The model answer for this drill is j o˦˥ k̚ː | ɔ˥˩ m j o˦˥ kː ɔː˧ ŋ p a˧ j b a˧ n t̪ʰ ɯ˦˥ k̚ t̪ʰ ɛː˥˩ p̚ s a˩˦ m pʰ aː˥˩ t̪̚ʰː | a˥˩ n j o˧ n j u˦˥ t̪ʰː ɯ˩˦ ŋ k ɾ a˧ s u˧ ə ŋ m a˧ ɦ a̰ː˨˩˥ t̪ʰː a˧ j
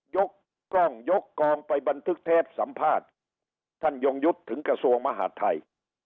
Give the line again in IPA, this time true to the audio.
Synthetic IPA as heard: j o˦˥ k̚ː | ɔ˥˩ ŋ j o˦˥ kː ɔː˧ ŋ p a˧ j b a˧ n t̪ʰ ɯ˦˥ k̚ t̪ʰ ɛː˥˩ p̚ s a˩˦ m pʰ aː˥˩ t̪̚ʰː | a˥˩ n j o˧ ŋ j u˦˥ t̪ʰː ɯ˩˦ ŋ k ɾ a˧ s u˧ ə ŋ m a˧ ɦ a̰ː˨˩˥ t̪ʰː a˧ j